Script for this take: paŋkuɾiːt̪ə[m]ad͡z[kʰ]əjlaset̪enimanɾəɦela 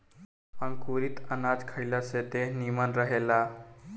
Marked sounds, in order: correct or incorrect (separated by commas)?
incorrect, correct